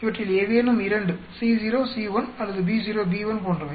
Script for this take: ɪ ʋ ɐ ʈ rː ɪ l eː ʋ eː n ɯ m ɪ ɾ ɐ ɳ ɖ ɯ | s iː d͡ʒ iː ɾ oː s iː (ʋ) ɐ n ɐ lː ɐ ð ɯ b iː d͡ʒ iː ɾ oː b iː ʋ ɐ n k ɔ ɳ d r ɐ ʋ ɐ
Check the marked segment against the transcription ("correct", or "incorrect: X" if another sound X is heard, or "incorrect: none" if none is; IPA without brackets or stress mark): correct